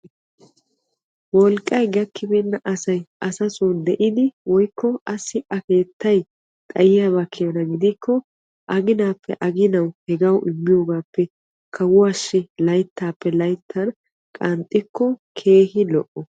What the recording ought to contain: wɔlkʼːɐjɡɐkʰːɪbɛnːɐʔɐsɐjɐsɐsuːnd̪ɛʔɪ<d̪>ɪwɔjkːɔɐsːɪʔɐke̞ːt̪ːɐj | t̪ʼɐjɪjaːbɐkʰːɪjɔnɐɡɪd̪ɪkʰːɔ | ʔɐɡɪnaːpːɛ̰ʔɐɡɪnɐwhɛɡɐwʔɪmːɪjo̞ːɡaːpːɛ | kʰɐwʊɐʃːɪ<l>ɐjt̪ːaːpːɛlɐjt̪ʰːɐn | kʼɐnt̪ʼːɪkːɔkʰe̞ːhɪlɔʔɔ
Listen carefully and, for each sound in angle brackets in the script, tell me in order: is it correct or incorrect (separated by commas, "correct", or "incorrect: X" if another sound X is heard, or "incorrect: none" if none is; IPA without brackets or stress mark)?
correct, correct